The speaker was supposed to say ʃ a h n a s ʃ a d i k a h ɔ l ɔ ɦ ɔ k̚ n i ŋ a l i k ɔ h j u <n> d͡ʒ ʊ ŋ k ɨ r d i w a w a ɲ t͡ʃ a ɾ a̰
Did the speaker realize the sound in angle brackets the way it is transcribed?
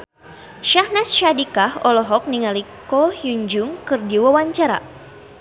no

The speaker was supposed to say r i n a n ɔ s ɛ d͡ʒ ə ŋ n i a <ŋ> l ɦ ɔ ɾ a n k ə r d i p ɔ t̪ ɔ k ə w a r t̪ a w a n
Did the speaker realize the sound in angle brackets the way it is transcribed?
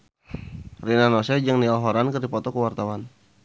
no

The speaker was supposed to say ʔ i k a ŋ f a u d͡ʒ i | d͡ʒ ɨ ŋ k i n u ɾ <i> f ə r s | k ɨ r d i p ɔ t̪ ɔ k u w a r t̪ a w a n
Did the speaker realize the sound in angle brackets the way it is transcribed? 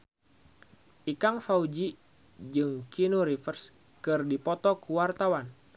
yes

